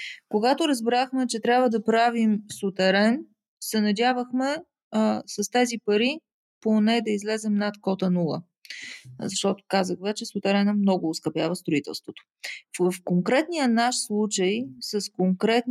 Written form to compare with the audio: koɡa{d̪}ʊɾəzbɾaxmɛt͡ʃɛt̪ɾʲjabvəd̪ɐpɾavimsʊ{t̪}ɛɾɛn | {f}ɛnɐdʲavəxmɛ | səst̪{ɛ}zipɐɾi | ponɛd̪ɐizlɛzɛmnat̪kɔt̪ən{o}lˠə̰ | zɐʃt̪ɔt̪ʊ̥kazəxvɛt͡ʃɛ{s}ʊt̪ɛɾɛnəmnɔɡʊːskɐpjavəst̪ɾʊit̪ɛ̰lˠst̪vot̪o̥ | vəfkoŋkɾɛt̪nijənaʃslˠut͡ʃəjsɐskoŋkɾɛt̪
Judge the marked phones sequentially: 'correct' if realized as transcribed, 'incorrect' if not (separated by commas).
incorrect, correct, incorrect, correct, incorrect, correct